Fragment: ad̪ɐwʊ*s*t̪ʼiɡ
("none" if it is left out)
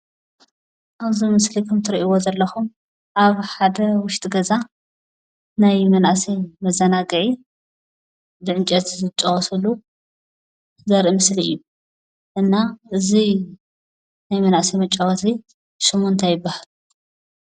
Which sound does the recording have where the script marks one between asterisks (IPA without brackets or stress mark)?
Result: ʃ